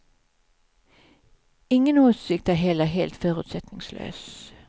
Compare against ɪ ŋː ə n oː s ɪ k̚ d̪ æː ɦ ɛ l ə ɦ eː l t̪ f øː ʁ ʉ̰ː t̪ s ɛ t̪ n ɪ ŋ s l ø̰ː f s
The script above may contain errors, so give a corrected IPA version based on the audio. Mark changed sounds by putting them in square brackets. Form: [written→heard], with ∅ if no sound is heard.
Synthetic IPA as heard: ɪ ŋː ə n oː s ɪ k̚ [d̪→t̪] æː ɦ ɛ l ə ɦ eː l t̪ f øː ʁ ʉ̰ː t̪ s ɛ t̪ n ɪ ŋ s l ø̰ː [f→∅] s